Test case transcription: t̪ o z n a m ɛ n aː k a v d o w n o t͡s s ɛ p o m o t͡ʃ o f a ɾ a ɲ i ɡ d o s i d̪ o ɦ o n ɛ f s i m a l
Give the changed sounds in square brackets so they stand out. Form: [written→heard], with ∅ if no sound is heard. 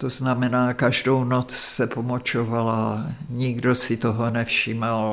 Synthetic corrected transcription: t̪ o z n a m ɛ n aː k a [v→ʒ] d o w n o t͡s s ɛ p o m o t͡ʃ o [f→v] a [ɾ→l] a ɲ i ɡ d o s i [d̪→t̪] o ɦ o n ɛ f [s→ʃ] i m a l